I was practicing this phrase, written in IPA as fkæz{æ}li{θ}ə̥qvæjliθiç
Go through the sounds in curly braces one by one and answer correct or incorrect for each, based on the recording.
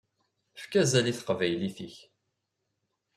correct, correct

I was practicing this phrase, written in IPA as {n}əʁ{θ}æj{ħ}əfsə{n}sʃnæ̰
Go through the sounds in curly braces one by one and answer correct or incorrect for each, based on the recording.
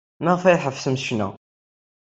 correct, incorrect: f, correct, incorrect: m

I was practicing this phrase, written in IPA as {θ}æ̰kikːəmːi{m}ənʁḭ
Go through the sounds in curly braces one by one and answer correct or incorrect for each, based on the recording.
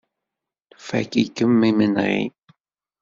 incorrect: f, correct

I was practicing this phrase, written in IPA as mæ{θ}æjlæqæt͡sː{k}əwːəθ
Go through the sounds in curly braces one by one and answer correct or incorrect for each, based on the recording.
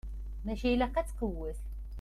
incorrect: ʃ, incorrect: q

